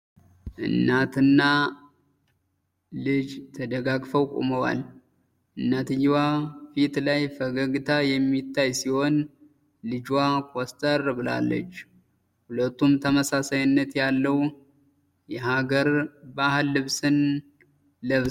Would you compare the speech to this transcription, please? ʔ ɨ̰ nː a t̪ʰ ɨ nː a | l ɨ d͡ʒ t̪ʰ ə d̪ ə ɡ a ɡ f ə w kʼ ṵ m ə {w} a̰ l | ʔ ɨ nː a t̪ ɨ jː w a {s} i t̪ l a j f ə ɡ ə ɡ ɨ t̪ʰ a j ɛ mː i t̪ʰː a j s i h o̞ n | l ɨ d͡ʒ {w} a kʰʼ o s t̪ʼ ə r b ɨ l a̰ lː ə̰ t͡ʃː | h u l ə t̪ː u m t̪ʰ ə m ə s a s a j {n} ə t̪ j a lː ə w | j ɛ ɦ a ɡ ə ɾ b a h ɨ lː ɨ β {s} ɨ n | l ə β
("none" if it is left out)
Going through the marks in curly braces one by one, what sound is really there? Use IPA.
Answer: w, f, w, nː, s

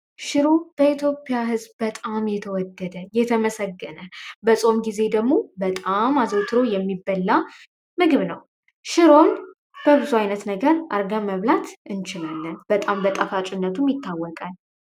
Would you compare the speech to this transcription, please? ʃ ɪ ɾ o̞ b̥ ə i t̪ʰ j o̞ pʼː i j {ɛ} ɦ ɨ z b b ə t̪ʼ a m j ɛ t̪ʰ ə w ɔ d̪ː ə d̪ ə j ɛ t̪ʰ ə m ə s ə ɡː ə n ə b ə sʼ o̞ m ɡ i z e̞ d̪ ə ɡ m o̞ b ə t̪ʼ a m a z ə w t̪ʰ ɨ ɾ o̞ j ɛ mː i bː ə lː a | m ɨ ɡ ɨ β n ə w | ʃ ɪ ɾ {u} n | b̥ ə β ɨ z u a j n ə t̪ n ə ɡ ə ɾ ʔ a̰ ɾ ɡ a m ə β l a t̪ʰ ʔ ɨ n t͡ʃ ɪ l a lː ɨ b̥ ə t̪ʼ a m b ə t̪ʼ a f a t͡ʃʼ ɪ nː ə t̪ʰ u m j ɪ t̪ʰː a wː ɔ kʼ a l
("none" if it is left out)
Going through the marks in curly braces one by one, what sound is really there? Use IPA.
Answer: a, o

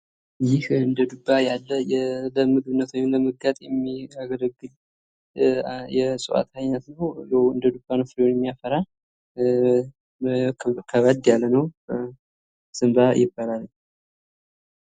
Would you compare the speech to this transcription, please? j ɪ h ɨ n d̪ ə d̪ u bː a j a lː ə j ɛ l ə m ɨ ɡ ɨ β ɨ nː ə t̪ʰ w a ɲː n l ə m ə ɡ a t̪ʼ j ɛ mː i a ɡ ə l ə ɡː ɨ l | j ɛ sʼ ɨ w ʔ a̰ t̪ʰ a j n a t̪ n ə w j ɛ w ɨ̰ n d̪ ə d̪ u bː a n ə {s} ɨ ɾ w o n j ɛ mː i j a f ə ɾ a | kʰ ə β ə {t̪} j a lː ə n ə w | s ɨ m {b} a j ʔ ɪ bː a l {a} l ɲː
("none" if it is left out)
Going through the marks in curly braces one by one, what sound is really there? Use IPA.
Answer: f, d̪, b, a

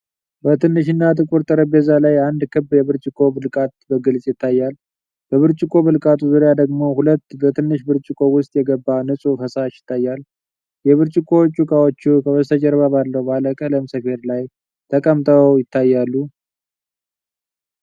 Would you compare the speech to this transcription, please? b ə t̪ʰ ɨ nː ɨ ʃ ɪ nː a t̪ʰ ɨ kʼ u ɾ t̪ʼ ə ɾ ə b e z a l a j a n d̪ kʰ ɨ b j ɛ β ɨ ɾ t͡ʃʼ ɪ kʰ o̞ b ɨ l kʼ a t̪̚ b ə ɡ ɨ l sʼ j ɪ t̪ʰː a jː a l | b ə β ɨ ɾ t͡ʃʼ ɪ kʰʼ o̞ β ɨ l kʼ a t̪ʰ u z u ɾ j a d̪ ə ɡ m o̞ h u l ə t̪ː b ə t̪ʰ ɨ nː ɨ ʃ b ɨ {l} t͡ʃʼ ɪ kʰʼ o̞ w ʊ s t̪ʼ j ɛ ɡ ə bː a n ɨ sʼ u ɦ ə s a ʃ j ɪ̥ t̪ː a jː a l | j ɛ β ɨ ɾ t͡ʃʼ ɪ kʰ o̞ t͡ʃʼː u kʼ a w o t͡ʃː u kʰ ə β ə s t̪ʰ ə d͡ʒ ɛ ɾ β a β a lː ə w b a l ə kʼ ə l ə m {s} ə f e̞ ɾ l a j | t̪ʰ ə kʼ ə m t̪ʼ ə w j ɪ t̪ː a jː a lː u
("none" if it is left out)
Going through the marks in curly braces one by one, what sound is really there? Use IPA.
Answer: ɾ, s

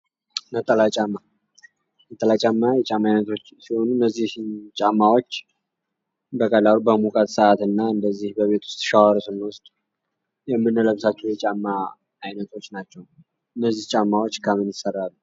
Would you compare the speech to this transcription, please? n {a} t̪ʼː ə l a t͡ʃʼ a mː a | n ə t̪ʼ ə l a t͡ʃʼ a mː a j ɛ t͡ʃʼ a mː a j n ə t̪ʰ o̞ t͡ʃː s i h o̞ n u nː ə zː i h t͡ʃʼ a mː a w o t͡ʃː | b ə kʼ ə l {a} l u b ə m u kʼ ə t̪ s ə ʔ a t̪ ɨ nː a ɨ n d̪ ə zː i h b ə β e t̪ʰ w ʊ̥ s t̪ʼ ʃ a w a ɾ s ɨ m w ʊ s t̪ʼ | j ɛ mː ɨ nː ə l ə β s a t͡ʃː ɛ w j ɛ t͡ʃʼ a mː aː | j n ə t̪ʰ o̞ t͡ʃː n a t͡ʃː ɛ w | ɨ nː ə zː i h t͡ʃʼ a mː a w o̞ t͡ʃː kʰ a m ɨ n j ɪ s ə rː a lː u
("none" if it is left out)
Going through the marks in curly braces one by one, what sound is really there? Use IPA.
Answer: ə, a

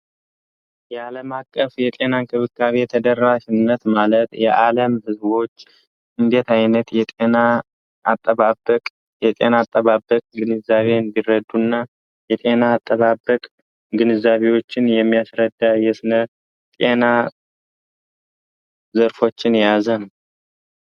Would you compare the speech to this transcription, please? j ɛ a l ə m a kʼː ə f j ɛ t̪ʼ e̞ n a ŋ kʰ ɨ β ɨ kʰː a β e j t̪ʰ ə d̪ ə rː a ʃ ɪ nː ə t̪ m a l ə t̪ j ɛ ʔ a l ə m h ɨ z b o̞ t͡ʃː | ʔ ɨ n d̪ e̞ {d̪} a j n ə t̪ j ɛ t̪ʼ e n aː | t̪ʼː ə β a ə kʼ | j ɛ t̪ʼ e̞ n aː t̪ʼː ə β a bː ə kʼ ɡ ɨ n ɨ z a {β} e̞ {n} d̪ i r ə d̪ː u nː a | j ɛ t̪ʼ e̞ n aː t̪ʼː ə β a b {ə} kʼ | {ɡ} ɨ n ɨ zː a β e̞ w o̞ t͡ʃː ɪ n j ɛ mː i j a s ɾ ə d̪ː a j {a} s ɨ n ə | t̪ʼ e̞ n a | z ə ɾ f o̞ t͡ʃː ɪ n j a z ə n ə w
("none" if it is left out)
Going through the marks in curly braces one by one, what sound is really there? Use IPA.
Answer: t̪, β, n, ə, ɡ, ɛ

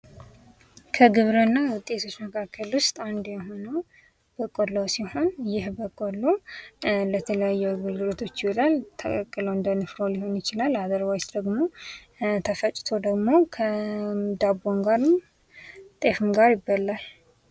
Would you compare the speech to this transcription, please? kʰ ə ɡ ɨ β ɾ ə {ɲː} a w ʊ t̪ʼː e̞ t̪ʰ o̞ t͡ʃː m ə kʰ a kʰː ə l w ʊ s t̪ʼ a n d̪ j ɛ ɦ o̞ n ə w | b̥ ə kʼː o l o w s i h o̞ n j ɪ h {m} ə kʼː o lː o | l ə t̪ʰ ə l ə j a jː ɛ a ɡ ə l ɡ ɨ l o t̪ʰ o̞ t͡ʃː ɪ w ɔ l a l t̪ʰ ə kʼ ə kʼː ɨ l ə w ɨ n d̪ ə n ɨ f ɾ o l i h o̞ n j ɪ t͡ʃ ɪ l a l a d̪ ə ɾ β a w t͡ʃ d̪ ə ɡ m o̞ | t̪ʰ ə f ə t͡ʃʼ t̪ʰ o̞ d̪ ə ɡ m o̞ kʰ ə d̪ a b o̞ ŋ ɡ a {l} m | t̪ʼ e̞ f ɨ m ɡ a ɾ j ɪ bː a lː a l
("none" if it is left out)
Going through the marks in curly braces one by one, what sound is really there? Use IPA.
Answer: nː, b, ɾ

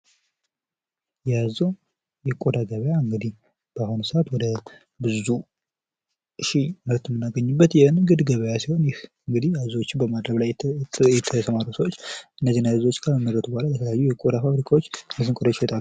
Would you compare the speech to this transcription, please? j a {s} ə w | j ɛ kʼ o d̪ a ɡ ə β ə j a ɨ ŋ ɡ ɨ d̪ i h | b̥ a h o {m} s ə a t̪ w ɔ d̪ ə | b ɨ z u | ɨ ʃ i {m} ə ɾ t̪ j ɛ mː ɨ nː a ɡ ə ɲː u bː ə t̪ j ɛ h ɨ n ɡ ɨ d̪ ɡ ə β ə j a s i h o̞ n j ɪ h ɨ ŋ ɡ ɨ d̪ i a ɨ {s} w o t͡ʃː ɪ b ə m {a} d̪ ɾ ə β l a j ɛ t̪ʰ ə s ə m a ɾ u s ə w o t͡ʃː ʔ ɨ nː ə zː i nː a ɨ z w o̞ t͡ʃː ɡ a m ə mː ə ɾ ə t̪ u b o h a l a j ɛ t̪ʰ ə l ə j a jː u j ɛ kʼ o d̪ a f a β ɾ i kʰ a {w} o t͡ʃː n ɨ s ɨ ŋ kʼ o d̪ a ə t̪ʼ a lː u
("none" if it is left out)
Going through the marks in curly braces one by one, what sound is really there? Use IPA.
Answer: z, n, m, z, a, w

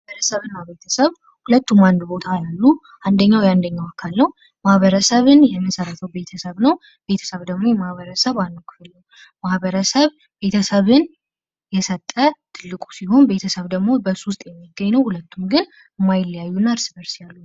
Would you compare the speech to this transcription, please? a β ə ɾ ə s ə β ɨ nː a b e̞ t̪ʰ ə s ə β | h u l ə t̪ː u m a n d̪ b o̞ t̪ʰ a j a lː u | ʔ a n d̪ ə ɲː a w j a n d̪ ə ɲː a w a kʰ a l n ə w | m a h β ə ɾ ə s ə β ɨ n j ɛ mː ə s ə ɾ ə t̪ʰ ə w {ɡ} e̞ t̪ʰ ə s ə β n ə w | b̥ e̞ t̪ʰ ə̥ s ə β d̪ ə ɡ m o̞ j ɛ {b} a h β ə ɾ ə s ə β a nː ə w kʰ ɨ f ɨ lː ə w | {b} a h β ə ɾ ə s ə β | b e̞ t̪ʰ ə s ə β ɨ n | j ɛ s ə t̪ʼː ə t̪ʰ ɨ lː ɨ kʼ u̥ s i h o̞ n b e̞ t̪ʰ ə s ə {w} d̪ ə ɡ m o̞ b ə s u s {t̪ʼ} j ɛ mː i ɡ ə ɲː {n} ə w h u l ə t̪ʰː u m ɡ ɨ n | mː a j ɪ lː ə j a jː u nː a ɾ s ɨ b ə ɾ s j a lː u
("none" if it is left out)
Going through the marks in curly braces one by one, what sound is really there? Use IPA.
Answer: b, m, m, β, t̪ʼ, n

